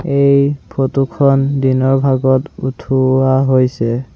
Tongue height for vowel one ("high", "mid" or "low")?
mid